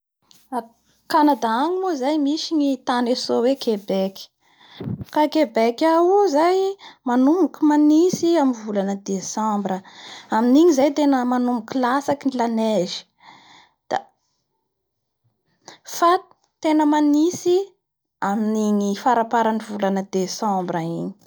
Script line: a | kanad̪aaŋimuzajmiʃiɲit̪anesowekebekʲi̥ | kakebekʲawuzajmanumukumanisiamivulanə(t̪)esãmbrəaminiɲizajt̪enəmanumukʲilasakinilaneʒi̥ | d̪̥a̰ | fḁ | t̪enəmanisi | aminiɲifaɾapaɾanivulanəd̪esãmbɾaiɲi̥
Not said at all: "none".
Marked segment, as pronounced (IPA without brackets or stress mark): d̪